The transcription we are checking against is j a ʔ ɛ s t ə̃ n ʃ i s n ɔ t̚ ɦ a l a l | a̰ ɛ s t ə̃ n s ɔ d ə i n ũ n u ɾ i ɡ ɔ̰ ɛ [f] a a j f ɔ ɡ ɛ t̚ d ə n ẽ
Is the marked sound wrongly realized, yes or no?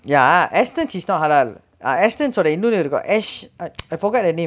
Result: yes